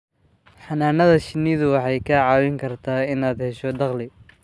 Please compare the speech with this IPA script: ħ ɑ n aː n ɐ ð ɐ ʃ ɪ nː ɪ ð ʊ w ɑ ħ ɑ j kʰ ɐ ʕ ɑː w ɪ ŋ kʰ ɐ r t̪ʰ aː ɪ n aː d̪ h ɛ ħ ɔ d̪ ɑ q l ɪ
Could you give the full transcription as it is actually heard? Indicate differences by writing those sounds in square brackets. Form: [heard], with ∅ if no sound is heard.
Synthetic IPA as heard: ħ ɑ n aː n ɐ ð ɐ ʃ ɪ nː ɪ ð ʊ w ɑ ħ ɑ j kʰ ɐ ʕ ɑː w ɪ ŋ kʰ ɐ r t̪ʰ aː ɪ n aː d̪ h ɛ [ʃ] ɔ d̪ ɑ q l ɪ

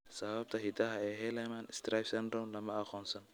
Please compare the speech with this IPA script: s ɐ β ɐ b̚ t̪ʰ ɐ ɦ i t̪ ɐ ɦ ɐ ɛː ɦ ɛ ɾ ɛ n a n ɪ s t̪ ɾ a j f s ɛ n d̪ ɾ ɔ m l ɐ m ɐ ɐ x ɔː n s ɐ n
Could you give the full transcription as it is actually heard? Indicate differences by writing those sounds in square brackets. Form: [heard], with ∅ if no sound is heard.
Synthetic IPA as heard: s ɐ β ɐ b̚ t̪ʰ ɐ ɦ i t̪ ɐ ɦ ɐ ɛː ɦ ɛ [l] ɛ [m] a n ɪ s t̪ ɾ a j f s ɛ n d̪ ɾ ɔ m l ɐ m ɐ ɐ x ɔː n s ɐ n

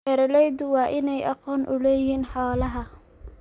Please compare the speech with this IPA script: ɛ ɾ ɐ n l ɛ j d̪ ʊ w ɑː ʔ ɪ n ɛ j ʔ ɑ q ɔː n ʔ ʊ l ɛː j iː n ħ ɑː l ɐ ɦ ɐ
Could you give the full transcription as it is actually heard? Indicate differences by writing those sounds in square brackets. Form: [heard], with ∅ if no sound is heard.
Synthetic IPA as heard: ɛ ɾ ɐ [∅] l ɛ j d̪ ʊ w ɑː ʔ ɪ n ɛ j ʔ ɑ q ɔː n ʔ ʊ l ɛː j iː n ħ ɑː l ɐ ɦ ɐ

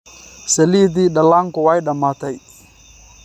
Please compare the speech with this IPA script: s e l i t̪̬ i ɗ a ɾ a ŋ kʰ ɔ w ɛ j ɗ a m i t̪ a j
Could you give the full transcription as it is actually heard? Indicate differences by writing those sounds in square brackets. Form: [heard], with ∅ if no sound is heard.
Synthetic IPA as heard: s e l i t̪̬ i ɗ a [l] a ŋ [k] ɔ w [a] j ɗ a m [a] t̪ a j

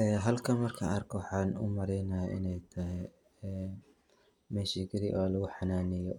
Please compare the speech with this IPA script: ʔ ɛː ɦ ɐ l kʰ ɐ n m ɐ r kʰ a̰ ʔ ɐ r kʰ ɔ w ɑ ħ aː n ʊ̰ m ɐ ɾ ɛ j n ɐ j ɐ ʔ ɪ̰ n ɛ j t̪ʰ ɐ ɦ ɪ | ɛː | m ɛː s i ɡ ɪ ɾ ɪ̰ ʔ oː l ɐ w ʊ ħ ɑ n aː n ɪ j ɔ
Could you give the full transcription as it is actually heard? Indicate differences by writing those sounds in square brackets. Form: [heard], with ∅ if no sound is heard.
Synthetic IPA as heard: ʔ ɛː ɦ ɐ l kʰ ɐ n m ɐ r kʰ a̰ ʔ ɐ r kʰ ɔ w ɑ ħ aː n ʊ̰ m ɐ ɾ ɛ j n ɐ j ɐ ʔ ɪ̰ n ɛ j t̪ʰ ɐ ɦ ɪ | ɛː | m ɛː [ʃ] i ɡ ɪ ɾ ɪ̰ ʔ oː l ɐ [ɣ] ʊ ħ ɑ n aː n ɪ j ɔ

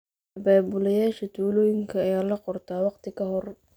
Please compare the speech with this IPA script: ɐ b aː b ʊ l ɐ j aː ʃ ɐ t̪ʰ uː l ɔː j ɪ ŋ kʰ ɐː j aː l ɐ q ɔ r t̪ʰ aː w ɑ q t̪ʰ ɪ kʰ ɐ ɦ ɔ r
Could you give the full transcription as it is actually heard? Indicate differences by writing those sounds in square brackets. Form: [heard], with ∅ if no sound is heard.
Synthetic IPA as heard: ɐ b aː b ʊ l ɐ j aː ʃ ɐ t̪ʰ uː l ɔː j ɪ ŋ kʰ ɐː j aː l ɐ q ɔ r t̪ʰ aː w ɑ q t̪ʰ ɪ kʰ ɐ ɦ ɔ r

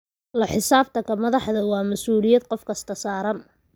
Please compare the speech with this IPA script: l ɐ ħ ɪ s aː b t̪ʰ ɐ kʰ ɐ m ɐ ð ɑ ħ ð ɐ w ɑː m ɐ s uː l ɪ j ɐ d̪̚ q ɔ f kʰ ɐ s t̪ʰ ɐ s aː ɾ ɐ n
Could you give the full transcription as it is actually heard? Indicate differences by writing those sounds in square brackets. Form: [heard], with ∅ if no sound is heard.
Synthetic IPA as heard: l ɐ ħ ɪ s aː b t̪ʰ ɐ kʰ ɐ m ɐ ð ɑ ħ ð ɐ w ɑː m ɐ s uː l ɪ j ɐ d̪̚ q ɔ f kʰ ɐ s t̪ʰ ɐ s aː ɾ ɐ n

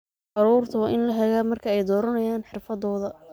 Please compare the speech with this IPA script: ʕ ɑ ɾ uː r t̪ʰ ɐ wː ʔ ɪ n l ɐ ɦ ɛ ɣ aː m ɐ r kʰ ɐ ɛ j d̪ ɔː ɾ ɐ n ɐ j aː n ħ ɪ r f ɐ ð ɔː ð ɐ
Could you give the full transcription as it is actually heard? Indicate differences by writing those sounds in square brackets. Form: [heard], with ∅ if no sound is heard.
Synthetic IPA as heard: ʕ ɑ ɾ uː r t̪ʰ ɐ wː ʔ ɪ n l ɐ ɦ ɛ ɣ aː m ɐ r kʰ ɐ ɛ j d̪ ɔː ɾ ɐ n ɐ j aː n ħ ɪ r f ɐ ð ɔː ð ɐ

